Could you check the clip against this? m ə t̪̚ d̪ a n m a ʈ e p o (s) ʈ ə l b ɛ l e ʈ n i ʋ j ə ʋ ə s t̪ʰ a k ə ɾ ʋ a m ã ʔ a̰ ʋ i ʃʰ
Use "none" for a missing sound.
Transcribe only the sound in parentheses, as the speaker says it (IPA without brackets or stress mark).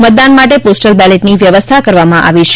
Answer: s